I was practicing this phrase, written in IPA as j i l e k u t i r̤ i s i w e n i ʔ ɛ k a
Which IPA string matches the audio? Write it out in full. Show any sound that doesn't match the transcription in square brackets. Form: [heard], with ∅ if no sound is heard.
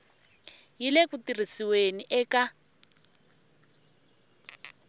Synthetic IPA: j i l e k u t i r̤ i s i w e n i ʔ ɛ k a